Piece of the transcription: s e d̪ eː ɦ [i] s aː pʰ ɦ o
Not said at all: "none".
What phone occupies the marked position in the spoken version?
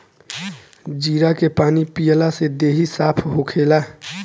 i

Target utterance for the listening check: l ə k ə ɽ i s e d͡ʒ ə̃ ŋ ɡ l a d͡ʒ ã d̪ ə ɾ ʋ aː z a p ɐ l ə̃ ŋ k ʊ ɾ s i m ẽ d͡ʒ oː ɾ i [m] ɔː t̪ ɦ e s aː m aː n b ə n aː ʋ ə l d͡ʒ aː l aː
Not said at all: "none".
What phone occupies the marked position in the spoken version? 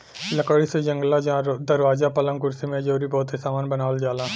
b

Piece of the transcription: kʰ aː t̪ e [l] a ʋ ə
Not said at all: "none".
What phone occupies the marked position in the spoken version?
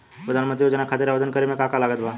ɾ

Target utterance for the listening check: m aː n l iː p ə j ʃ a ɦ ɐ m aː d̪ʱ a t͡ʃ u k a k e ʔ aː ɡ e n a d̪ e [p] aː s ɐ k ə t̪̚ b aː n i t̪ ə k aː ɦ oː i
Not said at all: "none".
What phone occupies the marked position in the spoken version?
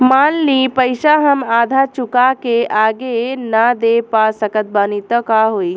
p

